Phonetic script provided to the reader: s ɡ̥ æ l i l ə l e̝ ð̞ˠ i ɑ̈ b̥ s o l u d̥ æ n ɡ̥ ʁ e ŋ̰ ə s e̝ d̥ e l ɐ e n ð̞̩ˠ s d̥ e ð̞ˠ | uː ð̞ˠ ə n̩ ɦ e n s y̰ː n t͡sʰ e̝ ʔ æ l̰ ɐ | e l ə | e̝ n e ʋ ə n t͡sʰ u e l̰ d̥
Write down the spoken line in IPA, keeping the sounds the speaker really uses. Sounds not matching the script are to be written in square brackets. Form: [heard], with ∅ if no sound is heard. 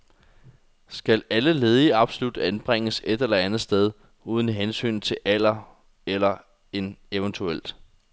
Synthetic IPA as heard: s ɡ̥ æ l [æ] l ə l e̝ ð̞ˠ i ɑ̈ b̥ s o l u d̥ æ n [b̥] ʁ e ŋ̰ ə s e̝ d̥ e l ɐ [æ] n ð̞̩ˠ s d̥ e ð̞ˠ | uː ð̞ˠ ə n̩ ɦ e n s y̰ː n t͡sʰ e̝ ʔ æ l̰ ɐ | e l [ɐ] | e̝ n e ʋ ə n t͡sʰ u e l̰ d̥

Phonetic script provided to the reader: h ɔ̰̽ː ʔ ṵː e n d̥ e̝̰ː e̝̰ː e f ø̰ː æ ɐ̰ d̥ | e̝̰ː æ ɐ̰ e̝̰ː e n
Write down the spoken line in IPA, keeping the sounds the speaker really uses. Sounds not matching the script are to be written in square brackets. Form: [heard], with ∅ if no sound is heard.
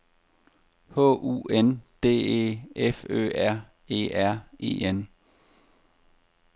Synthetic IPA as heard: h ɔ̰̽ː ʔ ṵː e n d̥ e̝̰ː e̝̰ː e f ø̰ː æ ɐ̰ [∅] | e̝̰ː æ ɐ̰ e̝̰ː e n

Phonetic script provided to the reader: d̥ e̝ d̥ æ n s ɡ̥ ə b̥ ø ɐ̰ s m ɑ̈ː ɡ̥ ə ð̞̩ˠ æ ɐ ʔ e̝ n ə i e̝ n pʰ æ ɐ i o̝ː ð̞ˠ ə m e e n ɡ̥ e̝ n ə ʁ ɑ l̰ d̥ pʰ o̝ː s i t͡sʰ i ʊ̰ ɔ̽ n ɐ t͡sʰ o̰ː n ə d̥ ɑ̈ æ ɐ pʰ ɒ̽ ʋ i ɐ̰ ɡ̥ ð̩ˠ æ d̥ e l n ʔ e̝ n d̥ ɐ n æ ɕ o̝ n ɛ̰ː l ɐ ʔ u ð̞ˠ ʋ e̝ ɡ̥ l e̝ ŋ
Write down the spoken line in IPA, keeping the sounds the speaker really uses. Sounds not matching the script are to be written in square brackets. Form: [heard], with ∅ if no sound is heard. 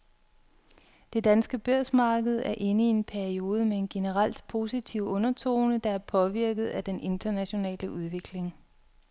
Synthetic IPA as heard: d̥ e̝ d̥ æ n s ɡ̥ ə b̥ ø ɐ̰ s m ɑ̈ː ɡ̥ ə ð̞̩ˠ æ ɐ ʔ e̝ n ə i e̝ n pʰ æ ɐ i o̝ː ð̞ˠ ə m e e n ɡ̥ e̝ n ə ʁ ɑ l̰ d̥ pʰ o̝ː s i t͡sʰ i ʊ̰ ɔ̽ n ɐ t͡sʰ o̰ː n ə d̥ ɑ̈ æ ɐ pʰ ɒ̽ ʋ i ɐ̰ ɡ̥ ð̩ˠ æ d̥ e [∅] n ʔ e̝ n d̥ ɐ n æ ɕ o̝ n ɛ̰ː l [ə] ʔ u ð̞ˠ ʋ e̝ ɡ̥ l e̝ ŋ

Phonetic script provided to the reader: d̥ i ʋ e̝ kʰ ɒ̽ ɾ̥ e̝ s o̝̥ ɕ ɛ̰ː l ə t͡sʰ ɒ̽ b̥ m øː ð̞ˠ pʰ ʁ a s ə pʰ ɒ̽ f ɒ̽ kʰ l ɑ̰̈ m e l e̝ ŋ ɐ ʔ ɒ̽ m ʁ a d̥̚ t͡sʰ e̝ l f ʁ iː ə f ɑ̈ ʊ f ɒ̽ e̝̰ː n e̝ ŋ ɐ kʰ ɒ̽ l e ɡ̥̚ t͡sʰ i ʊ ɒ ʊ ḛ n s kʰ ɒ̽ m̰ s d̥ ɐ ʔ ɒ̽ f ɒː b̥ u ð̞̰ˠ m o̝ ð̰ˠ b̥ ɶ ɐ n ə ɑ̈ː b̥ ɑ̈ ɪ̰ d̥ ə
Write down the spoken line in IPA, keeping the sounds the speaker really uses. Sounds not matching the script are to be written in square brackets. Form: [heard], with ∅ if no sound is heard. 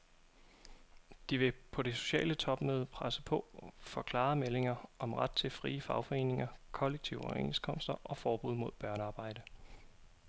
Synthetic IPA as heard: d̥ i ʋ e̝ [pʰ] ɒ̽ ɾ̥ e̝ s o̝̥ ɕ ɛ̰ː l ə t͡sʰ ɒ̽ b̥ m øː ð̞ˠ pʰ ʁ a s ə pʰ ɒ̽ f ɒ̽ kʰ l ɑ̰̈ m e l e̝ ŋ ɐ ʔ ɒ̽ m ʁ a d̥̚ t͡sʰ e̝ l f ʁ iː ə f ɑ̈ ʊ f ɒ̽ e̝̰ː n e̝ ŋ ɐ kʰ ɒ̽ l e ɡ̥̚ t͡sʰ i ʊ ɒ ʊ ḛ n s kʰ ɒ̽ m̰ s d̥ ɐ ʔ ɒ̽ f ɒː b̥ u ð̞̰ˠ m o̝ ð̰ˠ b̥ ɶ ɐ n ə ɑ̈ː b̥ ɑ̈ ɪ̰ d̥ ə

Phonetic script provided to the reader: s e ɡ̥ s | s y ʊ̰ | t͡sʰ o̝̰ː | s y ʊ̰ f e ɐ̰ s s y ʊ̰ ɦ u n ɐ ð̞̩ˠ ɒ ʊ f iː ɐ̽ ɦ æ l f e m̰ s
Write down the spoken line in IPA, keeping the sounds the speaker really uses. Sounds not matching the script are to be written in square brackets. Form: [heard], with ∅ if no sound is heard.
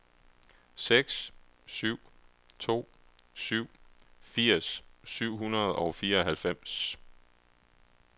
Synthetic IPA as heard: s e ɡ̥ s | s y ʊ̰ | t͡sʰ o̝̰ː | s y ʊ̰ f [i] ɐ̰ s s y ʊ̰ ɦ u n ɐ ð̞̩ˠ ɒ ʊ f iː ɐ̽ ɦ æ l f e m̰ s

